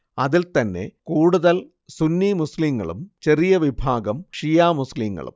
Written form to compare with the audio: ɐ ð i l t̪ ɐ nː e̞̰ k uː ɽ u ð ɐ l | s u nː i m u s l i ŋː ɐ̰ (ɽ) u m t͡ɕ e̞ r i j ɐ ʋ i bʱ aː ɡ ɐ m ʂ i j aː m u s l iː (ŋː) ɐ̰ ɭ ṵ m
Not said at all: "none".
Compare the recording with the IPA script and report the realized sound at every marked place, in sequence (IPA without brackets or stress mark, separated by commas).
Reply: ɭ, ŋː